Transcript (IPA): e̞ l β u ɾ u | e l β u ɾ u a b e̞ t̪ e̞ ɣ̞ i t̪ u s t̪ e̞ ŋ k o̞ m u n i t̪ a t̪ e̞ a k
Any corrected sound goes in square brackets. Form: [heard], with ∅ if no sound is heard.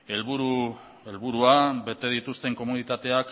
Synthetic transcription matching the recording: e̞ l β u ɾ u | e l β u ɾ u a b e̞ t̪ e̞ [ð̞] i t̪ u s t̪ e̞ ŋ k o̞ m u n i t̪ a t̪ e̞ a k